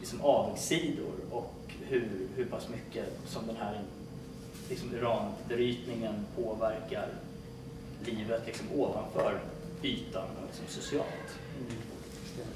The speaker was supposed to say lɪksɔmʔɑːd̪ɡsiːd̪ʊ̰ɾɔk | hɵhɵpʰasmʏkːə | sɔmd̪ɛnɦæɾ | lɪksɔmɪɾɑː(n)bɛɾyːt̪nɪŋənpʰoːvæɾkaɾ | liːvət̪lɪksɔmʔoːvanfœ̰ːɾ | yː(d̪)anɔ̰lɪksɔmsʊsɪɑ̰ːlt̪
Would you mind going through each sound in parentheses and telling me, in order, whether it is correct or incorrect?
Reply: correct, incorrect

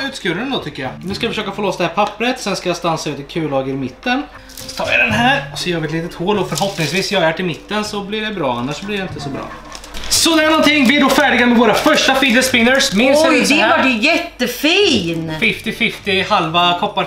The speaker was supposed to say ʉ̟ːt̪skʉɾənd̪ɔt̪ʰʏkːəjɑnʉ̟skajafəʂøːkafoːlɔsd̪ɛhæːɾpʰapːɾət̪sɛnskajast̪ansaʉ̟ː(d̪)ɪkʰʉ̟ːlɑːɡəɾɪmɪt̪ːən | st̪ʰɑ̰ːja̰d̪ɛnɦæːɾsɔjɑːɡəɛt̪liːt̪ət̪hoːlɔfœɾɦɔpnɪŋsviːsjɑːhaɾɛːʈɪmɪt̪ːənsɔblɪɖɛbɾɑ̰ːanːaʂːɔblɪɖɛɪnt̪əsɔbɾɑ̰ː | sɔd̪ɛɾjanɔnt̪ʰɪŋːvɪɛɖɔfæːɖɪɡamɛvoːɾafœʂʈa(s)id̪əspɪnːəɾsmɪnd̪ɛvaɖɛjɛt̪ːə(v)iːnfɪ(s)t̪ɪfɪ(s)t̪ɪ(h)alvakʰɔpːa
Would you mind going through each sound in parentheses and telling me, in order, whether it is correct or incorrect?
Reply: incorrect, incorrect, incorrect, incorrect, incorrect, correct

